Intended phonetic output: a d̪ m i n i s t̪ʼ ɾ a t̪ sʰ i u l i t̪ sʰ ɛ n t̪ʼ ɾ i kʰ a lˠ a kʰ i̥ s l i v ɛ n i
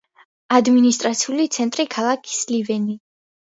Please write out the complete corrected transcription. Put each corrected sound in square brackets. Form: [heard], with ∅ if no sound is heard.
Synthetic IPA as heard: a d̪ m i n i s t̪ʼ ɾ a t̪ sʰ i u l i t̪ sʰ ɛ n t̪ʼ ɾ i kʰ a lˠ a kʰ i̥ s l i v ɛ n i